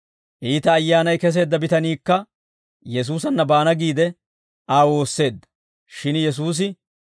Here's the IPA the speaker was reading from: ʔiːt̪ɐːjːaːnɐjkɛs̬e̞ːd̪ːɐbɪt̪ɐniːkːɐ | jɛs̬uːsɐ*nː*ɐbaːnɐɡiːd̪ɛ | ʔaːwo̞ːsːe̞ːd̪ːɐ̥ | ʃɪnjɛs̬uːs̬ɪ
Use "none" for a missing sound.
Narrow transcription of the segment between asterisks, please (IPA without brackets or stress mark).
nː